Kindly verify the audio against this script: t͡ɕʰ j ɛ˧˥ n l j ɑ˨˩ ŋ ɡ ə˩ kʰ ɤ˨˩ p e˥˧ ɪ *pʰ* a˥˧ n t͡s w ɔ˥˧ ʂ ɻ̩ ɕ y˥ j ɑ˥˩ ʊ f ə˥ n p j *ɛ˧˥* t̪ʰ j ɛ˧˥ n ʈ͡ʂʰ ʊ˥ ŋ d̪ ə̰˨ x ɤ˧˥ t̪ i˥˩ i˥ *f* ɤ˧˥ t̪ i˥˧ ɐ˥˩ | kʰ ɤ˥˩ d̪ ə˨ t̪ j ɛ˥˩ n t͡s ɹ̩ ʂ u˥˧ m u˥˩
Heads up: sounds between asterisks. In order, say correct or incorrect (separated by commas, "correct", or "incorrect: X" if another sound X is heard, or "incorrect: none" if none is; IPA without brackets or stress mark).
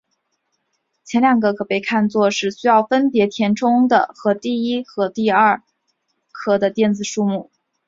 incorrect: kʰ, correct, incorrect: x